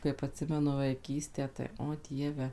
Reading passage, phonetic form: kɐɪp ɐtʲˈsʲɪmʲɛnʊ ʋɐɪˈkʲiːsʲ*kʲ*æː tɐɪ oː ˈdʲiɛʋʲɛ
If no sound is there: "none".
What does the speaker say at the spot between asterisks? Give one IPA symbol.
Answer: tʲ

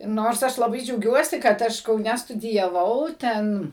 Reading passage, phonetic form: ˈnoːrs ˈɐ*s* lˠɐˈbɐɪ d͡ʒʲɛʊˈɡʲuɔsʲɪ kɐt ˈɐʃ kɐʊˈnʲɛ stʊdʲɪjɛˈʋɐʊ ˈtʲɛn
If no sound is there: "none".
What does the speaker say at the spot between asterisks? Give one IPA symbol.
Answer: ʃ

